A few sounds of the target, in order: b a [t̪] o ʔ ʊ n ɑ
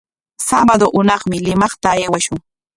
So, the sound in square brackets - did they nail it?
no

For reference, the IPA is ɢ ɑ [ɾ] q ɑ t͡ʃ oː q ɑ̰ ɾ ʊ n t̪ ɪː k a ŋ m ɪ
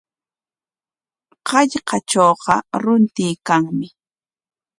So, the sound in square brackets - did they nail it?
no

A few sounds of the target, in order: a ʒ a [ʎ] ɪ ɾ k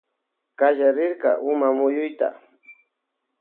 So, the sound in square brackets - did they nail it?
no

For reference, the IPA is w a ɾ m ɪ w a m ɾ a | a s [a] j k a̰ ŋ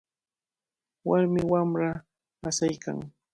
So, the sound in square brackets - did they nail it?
yes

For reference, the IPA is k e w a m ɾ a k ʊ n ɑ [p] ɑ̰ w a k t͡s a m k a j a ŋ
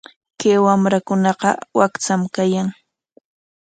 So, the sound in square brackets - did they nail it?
no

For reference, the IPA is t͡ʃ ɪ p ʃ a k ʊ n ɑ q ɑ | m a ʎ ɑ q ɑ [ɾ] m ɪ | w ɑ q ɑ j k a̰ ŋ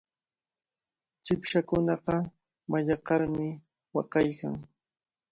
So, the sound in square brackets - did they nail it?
yes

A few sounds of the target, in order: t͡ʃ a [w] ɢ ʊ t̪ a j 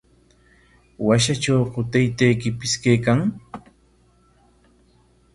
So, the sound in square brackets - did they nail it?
yes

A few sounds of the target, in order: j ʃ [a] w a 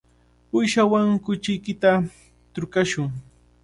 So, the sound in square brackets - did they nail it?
yes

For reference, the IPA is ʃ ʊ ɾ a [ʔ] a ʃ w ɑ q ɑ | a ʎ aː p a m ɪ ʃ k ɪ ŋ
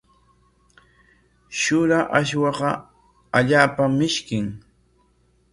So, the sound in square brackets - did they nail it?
yes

